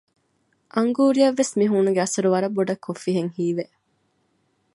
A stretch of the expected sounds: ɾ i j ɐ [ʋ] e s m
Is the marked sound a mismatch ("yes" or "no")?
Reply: yes